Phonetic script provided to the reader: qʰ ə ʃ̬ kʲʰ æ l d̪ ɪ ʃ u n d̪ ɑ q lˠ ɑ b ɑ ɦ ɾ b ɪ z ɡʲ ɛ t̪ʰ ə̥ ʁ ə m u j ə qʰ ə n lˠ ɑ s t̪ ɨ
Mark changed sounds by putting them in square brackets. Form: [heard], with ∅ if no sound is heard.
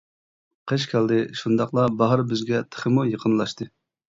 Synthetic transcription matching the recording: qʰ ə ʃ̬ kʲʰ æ l d̪ ɪ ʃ u n d̪ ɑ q lˠ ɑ b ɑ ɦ ɾ b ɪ z ɡʲ ɛ t̪ʰ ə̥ [χ] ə m u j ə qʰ ə n lˠ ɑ [ʃ] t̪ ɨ